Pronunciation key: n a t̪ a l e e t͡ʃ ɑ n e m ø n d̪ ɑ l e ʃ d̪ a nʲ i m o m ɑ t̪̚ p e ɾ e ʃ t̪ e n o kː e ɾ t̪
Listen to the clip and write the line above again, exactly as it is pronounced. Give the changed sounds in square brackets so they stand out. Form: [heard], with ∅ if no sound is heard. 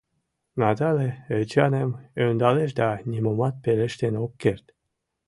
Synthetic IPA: n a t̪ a l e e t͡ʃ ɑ n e m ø n d̪ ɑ l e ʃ d̪ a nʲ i m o m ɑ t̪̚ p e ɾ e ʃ t̪ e n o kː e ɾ t̪

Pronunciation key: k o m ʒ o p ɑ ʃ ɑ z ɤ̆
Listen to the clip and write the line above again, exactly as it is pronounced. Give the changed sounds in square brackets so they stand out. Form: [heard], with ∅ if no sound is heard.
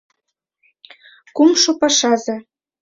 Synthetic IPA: k [u] m [ʃ] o p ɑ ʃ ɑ z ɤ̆

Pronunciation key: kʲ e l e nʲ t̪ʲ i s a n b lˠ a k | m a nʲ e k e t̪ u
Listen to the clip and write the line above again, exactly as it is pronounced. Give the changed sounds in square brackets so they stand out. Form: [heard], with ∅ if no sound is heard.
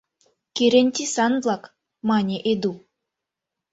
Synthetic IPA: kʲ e [ɾ] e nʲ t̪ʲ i s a n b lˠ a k | m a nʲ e [ʔ] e [d̪] u

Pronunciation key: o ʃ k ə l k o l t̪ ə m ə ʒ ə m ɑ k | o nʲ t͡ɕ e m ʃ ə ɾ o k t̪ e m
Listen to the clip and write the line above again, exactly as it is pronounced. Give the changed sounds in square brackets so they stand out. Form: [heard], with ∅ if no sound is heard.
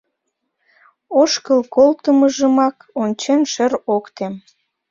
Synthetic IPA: o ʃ k ə l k o l t̪ ə m ə ʒ ə m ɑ k | o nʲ t͡ɕ e [n] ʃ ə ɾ o k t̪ e m

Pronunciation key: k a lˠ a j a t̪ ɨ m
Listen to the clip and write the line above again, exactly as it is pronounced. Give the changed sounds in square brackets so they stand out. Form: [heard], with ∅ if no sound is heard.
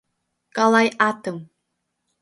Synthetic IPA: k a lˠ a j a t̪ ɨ m

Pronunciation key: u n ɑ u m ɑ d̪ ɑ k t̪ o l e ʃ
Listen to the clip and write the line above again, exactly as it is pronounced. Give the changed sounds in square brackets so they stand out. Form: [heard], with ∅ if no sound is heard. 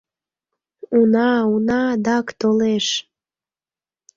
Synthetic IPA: u n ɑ u [n] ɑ d̪ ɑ k t̪ o l e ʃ

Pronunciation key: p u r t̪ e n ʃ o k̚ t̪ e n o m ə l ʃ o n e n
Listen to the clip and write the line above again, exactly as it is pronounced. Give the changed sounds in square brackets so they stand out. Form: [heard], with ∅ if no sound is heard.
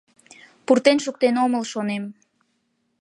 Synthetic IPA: p u r t̪ e n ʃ [u] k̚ t̪ e n o m ə l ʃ o n e [m]

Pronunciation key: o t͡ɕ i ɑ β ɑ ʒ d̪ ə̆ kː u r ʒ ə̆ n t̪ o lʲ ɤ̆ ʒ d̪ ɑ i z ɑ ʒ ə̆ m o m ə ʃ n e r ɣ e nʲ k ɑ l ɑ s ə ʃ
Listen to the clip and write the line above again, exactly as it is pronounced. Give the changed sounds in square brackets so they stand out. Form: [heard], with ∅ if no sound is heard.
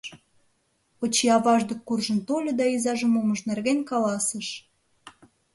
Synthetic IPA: o t͡ɕ i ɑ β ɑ ʒ d̪ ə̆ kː u r ʒ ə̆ n t̪ o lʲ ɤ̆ [∅] d̪ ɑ i z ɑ ʒ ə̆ m o m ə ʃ n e r ɣ e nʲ k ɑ l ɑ s ə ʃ

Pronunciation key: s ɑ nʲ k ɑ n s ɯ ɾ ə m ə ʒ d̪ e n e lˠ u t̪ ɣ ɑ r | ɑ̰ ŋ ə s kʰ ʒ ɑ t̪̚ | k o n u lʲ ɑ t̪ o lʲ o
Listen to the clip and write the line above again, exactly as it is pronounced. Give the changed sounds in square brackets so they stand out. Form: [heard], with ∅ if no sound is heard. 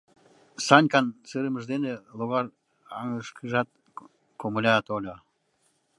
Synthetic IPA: s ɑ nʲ k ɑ n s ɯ ɾ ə m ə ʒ d̪ e n e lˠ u [∅] ɣ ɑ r | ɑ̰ ŋ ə [ʃ] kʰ ʒ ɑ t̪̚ | k o [m] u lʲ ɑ t̪ o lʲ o

